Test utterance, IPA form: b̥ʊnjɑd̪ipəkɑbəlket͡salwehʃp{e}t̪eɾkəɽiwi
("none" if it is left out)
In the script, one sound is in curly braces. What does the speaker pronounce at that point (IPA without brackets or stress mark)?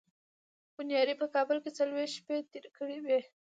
e